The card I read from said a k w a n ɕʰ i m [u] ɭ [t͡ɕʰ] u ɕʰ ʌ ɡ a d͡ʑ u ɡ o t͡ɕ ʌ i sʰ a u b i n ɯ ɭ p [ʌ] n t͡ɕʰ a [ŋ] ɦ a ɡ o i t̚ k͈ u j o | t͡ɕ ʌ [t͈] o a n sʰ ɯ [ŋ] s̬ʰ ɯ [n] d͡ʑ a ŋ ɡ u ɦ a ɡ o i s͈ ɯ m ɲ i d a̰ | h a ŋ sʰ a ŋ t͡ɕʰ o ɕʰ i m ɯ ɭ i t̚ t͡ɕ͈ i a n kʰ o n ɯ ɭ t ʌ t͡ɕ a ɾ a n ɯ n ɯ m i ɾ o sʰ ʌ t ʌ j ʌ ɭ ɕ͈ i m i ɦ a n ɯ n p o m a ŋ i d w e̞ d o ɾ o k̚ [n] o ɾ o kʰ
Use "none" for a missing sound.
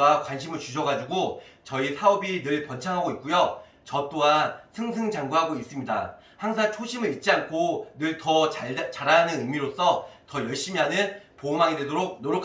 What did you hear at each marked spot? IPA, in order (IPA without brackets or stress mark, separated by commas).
ɯ, t͡ɕ, ʌ, ŋ, t͈, ŋ, ŋ, n